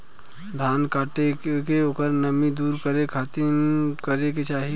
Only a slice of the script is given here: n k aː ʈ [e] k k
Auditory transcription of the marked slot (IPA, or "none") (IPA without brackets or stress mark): e